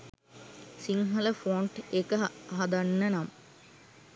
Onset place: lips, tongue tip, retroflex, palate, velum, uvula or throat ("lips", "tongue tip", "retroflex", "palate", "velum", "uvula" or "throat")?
tongue tip